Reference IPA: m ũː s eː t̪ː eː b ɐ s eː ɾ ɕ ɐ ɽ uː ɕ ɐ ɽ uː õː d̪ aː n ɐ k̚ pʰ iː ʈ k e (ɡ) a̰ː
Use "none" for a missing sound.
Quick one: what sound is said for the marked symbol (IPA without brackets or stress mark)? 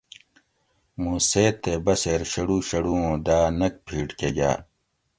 ɡ